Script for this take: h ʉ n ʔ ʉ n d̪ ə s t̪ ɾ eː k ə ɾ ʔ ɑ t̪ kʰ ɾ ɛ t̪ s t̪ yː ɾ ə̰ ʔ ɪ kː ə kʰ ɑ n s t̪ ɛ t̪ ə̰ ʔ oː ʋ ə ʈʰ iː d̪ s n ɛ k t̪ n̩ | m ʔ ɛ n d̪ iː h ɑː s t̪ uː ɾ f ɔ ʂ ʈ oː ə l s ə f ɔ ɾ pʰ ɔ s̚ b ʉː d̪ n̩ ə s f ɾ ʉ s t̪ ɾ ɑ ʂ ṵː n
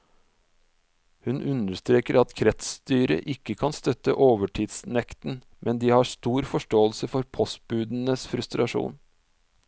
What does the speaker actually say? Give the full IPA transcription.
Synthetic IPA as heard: h ʉ n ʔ ʉ n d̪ ə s t̪ ɾ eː k ə ɾ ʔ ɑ t̪ kʰ ɾ ɛ t̪ s t̪ yː ɾ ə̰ ʔ ɪ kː ə kʰ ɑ n s t̪ œ t̪ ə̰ ʔ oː ʋ ə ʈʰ iː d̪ s n ɛ k t̪ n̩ | m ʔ ɛ n d̪ iː h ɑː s t̪ uː ɾ f ɔ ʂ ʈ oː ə l s ə f ɔ ɾ pʰ ɔ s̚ b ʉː d̪ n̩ ə s f ɾ ʉ s t̪ ɾ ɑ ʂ ṵː n